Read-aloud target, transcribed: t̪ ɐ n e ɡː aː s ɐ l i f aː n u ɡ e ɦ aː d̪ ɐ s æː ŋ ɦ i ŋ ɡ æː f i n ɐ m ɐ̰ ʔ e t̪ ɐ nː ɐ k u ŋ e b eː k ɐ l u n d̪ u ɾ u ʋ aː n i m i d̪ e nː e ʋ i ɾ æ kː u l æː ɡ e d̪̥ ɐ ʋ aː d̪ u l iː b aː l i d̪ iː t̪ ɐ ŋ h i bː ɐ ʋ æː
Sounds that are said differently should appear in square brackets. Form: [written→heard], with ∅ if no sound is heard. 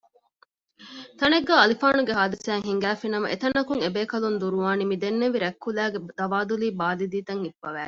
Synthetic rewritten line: t̪ ɐ n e ɡː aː [s→∅] ɐ l i f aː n u ɡ e ɦ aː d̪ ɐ s æː ŋ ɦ i ŋ ɡ æː f i n ɐ m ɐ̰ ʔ e t̪ ɐ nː ɐ k u ŋ e b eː k ɐ l u n d̪ u ɾ u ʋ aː n i m i d̪ e nː e ʋ i ɾ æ kː u l æː ɡ e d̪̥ ɐ ʋ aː d̪ u l iː b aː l i d̪ iː t̪ ɐ ŋ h i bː ɐ ʋ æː

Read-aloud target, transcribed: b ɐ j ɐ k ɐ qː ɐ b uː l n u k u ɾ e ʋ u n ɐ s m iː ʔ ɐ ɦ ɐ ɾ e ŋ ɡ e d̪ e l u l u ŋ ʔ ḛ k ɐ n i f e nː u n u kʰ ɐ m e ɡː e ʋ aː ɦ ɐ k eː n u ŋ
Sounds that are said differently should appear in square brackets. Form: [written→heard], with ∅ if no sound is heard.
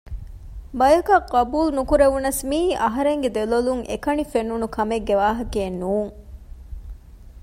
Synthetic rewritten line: b ɐ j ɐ k ɐ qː ɐ b uː l n u k u ɾ e ʋ u n ɐ s m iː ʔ ɐ ɦ ɐ ɾ e ŋ ɡ e d̪ e l [u→o] l u ŋ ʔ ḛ k ɐ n i f e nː u n u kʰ ɐ m e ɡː e ʋ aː ɦ ɐ k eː n [u→uː] ŋ

